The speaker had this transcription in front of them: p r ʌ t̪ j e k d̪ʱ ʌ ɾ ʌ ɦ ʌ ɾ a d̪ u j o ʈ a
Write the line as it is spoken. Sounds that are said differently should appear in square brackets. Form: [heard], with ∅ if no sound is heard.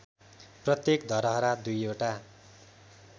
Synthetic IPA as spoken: p r ʌ t̪ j e k d̪ʱ ʌ ɾ ʌ ɦ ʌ ɾ a d̪ u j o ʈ a